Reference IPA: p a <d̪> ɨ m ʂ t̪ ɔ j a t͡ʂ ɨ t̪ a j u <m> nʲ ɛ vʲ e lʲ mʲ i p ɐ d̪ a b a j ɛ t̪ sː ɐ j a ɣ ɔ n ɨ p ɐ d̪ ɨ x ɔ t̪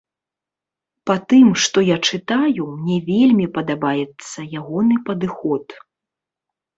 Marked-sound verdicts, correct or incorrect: incorrect, correct

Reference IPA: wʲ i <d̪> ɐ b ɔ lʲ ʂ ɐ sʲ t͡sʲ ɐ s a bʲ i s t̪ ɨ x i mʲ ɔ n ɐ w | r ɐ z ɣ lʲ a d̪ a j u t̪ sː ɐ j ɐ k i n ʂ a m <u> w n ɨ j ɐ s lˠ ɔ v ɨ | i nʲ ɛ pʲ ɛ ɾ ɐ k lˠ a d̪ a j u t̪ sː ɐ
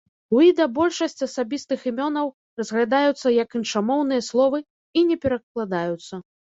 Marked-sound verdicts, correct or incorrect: correct, incorrect

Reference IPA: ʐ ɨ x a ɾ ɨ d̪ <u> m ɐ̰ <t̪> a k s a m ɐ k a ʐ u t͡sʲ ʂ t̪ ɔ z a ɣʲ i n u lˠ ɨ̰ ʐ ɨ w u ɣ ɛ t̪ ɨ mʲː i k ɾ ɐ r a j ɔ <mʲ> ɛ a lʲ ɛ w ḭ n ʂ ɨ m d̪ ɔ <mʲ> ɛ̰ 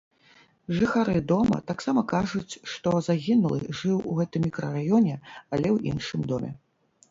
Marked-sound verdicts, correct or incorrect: incorrect, correct, incorrect, correct

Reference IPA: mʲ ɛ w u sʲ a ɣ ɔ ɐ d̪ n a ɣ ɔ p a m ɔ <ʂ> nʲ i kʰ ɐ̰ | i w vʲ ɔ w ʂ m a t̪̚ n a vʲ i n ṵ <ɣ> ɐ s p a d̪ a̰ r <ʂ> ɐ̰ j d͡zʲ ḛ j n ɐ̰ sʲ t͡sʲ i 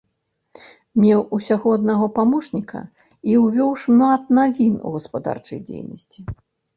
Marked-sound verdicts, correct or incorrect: correct, correct, incorrect

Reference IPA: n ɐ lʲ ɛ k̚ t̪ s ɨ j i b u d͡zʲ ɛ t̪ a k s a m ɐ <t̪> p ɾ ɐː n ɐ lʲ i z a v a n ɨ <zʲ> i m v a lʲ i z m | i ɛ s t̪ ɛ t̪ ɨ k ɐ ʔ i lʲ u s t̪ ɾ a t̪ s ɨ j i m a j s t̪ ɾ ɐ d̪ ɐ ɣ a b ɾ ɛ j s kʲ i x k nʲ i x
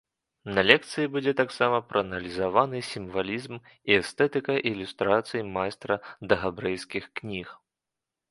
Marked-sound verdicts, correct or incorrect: incorrect, incorrect

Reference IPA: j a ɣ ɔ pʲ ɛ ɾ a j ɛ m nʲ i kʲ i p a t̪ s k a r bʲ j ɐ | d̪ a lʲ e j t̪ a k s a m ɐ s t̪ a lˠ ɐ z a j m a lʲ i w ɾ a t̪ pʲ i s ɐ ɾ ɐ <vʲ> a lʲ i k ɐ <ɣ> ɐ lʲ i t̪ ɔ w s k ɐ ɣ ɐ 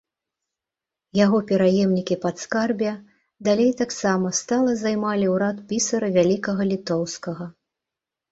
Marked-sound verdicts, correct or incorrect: correct, correct

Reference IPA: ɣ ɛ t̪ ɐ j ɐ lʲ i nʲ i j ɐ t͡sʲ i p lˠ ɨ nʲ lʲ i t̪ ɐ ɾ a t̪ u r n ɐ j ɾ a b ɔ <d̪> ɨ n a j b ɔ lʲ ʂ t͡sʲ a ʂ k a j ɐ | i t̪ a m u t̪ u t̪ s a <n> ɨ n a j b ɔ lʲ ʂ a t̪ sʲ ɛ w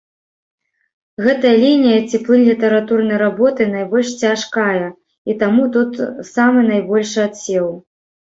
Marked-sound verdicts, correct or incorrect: incorrect, incorrect

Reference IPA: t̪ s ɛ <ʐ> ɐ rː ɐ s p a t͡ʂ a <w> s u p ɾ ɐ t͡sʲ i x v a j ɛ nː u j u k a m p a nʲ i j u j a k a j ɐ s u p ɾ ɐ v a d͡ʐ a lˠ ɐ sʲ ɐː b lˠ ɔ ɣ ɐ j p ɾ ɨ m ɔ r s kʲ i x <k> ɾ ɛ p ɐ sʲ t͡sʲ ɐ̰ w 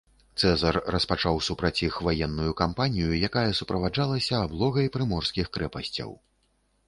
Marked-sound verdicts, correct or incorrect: incorrect, correct, correct

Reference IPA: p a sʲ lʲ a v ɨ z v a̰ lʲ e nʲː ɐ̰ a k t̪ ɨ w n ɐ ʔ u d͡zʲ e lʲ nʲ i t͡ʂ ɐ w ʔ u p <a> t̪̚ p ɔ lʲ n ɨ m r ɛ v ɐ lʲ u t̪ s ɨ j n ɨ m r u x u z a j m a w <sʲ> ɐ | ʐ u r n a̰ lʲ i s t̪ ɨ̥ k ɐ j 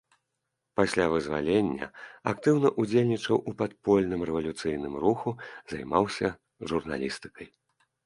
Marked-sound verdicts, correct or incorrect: correct, correct

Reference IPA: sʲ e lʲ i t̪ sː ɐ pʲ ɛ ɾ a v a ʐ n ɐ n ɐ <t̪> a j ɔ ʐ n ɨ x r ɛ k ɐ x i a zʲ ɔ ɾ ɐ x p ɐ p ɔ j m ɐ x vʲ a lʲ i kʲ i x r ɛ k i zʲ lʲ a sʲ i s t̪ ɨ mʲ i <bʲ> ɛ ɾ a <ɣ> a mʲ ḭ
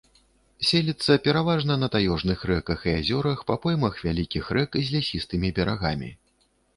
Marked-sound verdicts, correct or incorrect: correct, correct, correct

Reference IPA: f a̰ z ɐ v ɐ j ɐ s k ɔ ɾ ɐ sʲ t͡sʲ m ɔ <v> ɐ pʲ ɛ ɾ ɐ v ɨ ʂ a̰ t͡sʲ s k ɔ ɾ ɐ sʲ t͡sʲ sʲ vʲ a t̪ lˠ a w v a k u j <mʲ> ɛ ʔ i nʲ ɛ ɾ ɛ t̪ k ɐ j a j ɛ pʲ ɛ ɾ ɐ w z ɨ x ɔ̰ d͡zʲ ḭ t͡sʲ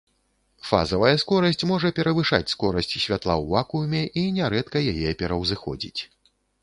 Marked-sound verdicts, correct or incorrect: incorrect, correct

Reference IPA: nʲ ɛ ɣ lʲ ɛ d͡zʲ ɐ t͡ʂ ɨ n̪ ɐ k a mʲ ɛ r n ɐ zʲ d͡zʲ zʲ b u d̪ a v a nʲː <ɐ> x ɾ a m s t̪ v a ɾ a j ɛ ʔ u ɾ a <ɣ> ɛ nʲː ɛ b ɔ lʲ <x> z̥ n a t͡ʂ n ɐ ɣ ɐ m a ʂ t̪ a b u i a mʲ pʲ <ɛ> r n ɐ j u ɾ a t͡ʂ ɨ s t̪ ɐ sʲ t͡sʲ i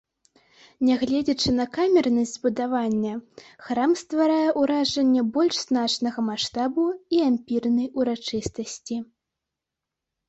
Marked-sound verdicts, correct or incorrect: correct, incorrect, incorrect, incorrect

